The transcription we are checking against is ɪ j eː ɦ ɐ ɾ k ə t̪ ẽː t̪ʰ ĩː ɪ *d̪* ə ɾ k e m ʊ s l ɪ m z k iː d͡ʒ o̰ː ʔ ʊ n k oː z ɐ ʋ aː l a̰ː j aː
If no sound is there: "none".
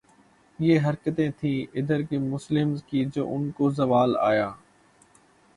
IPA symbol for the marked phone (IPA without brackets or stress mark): d̪